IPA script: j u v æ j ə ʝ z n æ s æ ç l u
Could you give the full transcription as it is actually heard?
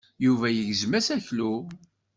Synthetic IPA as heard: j u v æ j ə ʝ z m æ s æ ç l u